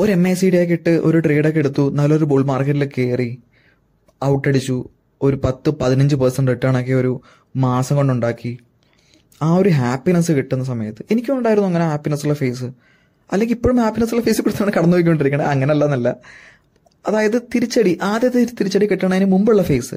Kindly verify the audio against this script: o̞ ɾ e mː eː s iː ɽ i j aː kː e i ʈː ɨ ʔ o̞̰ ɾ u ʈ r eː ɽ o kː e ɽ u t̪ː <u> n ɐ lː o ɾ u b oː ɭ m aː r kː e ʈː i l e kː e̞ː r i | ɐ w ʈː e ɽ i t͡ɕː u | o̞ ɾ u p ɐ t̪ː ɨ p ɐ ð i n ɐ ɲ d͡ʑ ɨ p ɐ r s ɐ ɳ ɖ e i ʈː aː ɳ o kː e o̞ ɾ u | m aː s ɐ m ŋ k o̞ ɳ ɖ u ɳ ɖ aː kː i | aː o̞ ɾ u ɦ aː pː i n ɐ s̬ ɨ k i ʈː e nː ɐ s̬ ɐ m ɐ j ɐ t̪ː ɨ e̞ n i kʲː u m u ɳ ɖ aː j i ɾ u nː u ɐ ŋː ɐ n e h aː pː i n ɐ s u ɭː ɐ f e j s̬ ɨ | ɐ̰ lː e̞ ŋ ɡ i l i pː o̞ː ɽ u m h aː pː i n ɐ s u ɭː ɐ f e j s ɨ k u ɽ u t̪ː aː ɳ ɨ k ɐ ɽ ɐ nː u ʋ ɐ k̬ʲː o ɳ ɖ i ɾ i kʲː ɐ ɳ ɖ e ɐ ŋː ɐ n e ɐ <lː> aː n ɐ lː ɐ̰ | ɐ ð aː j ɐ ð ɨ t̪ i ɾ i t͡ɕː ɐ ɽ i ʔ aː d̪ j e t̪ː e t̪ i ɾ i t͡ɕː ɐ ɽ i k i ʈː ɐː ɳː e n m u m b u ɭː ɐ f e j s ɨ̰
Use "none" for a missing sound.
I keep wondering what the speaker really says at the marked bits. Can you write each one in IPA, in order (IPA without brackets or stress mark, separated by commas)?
u, lː